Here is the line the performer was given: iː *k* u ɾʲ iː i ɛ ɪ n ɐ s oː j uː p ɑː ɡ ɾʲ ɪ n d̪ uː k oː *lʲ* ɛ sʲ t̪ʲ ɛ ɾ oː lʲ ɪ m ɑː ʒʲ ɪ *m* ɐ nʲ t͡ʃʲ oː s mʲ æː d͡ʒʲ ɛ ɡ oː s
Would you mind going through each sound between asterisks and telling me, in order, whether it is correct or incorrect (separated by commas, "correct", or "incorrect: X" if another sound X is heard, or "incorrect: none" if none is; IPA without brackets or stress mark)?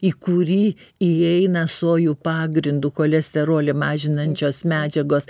correct, correct, incorrect: n